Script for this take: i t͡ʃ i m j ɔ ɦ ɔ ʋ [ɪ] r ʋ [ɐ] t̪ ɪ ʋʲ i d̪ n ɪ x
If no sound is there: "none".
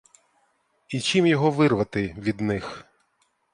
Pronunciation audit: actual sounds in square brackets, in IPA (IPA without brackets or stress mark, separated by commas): ɪ, ɐ